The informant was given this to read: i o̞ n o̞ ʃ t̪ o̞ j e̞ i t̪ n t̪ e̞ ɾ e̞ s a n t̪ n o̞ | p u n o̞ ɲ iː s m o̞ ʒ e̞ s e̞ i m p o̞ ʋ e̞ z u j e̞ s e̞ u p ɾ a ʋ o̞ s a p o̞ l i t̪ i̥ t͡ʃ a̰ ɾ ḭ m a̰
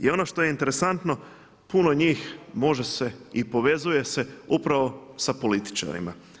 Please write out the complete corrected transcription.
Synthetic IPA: i o̞ n o̞ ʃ t̪ o̞ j e̞ i n t̪ e̞ ɾ e̞ s a n t̪ n o̞ | p u n o̞ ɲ iː x m o̞ ʒ e̞ s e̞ i p o̞ ʋ e̞ z u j e̞ s e̞ u p ɾ a ʋ o̞ s a p o̞ l i t̪ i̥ t͡ʃ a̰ ɾ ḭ m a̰